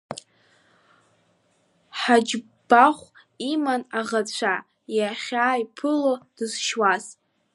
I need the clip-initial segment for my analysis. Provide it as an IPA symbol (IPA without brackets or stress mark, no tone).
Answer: ħ